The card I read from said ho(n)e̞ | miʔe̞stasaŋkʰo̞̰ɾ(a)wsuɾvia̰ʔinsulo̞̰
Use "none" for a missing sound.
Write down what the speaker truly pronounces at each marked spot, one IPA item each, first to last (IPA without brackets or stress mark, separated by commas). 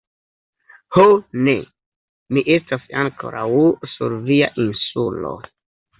n, a